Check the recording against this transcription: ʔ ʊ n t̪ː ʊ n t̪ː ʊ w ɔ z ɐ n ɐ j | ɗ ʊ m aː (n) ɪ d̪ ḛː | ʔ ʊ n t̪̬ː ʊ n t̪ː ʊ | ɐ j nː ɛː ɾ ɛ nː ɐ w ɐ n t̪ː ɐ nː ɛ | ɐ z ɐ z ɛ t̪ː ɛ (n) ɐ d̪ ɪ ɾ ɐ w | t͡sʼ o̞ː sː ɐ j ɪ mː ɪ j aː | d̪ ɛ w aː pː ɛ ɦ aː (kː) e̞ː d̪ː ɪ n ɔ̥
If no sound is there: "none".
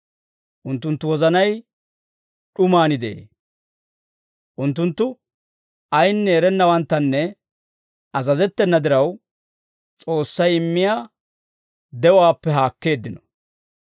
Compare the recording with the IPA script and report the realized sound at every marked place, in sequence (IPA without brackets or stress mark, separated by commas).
n, nː, kː